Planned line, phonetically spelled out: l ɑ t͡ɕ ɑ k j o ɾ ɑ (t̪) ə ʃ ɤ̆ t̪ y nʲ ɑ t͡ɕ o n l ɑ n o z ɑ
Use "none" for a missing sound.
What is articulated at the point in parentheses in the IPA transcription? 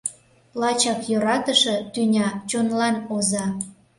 t̪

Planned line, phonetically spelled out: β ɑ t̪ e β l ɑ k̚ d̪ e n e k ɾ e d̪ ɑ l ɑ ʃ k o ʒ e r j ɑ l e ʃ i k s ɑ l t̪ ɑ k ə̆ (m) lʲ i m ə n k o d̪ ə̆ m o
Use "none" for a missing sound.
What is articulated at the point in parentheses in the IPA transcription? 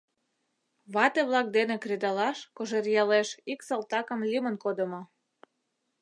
m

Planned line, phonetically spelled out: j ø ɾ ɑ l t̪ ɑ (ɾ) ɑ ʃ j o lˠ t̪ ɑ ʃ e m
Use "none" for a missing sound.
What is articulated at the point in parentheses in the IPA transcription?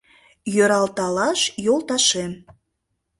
l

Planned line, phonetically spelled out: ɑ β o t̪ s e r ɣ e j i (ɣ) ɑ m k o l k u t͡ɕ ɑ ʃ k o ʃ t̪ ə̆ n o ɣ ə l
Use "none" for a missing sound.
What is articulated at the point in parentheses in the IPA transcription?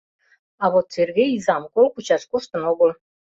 z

